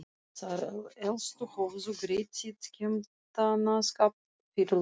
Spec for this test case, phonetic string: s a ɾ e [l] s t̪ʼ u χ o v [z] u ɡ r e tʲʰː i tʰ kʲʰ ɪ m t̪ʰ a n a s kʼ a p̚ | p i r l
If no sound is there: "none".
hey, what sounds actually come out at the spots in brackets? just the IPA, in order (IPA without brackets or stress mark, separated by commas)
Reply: l, z